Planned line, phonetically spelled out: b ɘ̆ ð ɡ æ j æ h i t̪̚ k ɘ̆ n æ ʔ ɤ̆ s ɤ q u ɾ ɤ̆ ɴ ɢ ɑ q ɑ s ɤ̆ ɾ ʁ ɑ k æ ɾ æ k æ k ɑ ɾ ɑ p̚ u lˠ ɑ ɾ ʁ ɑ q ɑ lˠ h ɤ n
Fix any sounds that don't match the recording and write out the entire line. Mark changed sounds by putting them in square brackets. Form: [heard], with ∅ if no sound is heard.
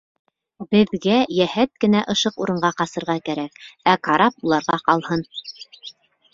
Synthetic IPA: b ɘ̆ ð ɡ æ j æ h [æ] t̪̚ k ɘ̆ n æ ʔ ɤ̆ [ʃ] ɤ q u ɾ ɤ̆ ɴ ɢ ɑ q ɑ s ɤ̆ ɾ ʁ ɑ k æ ɾ æ k æ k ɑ ɾ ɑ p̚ u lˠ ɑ ɾ ʁ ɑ q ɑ lˠ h ɤ n